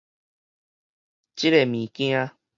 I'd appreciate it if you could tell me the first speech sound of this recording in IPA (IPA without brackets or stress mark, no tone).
t͡ɕ